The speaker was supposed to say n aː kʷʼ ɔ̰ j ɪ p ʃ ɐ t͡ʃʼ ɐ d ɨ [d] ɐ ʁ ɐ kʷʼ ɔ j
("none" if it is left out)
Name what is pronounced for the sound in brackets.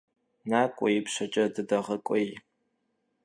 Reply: d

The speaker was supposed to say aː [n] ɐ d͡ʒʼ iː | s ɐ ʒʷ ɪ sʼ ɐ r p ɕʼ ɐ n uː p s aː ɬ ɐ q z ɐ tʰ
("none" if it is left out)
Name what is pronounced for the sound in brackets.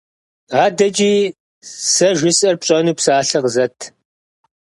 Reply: d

